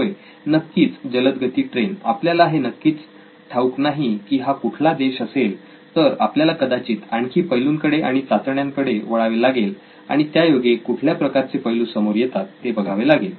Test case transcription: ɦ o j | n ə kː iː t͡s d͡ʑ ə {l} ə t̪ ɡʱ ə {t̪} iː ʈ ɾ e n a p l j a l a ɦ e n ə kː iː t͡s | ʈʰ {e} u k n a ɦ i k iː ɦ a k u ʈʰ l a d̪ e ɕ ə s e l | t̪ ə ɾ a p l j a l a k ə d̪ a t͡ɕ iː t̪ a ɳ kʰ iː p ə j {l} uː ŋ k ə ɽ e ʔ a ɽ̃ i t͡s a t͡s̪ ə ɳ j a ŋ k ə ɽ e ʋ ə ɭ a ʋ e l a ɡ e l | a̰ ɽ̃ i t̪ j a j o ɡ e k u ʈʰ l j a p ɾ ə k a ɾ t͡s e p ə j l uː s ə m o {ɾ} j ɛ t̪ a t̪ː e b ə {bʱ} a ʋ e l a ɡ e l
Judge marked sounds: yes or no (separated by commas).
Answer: yes, yes, no, yes, yes, no